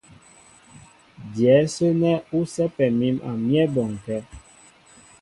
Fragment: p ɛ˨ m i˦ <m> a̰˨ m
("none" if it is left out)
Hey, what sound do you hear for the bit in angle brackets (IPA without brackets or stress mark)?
m